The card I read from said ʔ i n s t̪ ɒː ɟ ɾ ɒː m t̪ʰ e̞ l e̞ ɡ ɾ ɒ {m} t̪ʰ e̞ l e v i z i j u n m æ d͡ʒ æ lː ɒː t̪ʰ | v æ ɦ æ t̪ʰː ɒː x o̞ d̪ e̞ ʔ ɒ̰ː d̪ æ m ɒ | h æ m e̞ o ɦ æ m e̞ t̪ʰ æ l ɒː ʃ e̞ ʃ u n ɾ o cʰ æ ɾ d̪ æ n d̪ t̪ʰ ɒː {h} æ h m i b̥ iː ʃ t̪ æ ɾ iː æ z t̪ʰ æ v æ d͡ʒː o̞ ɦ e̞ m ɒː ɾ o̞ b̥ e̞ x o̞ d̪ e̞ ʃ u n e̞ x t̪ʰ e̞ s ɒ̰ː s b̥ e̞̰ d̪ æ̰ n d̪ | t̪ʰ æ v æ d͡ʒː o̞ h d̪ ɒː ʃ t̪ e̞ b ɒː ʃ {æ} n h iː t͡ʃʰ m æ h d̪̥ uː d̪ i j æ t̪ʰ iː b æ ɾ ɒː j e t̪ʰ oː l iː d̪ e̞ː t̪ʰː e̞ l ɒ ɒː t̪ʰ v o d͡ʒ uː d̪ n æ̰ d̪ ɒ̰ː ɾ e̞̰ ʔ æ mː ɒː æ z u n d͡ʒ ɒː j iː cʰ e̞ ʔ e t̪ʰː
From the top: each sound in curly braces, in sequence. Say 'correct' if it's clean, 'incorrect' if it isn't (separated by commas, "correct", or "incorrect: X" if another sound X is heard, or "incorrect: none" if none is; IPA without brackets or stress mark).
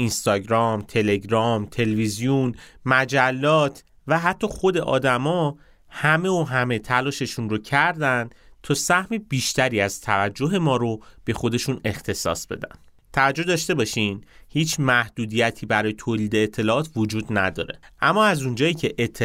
correct, incorrect: s, incorrect: i